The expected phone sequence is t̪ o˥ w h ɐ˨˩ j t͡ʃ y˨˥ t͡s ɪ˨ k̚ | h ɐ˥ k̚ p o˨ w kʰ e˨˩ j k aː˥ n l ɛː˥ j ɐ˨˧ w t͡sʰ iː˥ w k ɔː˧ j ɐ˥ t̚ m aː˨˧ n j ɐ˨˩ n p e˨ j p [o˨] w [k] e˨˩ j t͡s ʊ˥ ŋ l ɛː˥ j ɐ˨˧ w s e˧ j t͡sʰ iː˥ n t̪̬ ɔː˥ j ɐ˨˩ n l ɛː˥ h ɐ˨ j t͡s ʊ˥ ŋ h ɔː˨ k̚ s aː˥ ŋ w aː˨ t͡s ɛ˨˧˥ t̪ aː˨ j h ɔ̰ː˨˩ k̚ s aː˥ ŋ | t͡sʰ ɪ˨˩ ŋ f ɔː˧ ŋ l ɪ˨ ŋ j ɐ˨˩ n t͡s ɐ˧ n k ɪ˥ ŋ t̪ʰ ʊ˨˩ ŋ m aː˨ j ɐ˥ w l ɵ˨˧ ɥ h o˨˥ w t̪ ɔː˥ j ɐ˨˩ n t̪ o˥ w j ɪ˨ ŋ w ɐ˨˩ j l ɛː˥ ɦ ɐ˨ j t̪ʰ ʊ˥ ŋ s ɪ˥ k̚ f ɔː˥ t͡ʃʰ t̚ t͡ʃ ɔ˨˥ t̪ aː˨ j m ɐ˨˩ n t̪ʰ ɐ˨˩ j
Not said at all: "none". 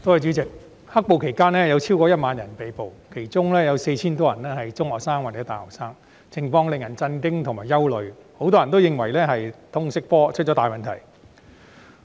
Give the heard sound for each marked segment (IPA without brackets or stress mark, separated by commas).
o˨, kʰ